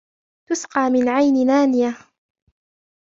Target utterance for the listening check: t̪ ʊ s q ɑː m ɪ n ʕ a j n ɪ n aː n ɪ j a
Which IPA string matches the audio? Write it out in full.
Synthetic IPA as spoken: t̪ ʊ s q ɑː m ɪ n ʕ a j n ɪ n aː n ɪ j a